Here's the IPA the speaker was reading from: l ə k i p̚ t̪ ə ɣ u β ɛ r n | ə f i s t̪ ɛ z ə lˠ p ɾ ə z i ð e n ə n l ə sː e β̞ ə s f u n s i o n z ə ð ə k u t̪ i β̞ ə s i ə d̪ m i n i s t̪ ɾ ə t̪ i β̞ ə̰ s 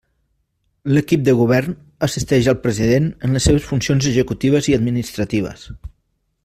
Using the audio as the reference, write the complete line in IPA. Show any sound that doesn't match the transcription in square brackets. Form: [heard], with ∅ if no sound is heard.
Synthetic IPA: l ə k i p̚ [d̪] ə ɣ u β ɛ r n | ə [s] i s t̪ ɛ [ʒ] ə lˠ p ɾ ə z i ð e n ə n l ə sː e β̞ ə s f u n s i o n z ə [ʒ] ə k u t̪ i β̞ ə [z] i ə d̪ m i n i s t̪ ɾ ə t̪ i β̞ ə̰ s